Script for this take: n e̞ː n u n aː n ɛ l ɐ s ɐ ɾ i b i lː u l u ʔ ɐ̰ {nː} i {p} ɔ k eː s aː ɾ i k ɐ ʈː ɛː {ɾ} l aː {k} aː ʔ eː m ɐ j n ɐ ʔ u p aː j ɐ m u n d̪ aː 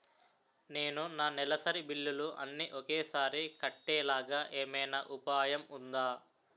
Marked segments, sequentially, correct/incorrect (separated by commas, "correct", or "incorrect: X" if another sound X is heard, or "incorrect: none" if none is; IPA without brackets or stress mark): correct, incorrect: ʔ, incorrect: none, incorrect: ɡ